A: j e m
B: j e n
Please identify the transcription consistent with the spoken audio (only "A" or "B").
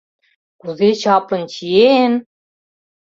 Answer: B